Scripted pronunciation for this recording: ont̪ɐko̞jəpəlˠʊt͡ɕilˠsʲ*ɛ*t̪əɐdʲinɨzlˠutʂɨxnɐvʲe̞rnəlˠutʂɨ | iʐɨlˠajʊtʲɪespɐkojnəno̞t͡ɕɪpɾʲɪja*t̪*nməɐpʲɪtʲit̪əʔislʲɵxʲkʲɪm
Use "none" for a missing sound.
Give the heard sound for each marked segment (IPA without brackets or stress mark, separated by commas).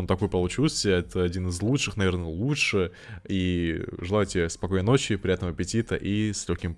ɛ, t̪